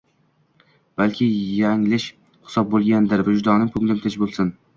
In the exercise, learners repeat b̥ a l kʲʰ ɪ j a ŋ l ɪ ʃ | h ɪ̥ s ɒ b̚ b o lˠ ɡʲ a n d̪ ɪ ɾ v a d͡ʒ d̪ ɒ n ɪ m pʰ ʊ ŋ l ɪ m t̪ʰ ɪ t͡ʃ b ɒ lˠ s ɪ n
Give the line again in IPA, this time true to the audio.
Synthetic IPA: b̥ a l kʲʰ ɪ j a ŋ l ɪ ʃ | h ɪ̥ s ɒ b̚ b o lˠ ɡʲ a n d̪ ɪ ɾ v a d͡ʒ d̪ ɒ n ɪ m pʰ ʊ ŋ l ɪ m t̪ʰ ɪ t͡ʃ b o lˠ s ɪ n